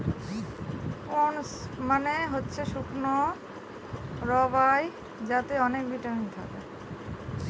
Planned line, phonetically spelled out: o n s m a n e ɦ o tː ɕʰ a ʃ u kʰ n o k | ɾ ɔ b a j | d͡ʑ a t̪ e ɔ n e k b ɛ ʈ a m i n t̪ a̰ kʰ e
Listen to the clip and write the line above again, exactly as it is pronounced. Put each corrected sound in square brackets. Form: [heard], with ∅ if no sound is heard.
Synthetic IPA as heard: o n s m a n e ɦ o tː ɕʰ [e] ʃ u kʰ n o [∅] | ɾ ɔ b a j | d͡ʑ a t̪ e ɔ n e k b [i] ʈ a m i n [t̪ʰ] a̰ [k] e